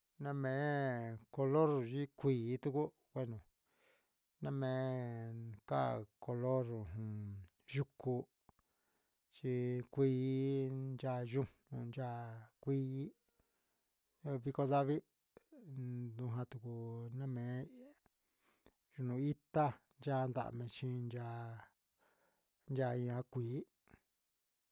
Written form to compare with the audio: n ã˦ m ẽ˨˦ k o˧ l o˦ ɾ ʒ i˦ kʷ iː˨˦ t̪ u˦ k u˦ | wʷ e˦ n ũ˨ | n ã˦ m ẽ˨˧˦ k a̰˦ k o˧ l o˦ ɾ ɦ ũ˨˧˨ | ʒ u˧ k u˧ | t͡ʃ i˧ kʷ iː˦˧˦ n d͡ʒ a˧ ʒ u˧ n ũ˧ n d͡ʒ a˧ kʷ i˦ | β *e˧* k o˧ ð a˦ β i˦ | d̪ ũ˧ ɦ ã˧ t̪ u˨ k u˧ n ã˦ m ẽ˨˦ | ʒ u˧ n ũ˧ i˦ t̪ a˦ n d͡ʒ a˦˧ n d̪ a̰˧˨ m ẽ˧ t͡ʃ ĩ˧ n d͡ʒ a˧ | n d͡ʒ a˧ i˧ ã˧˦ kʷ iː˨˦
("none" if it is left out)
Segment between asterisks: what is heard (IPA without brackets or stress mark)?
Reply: i˧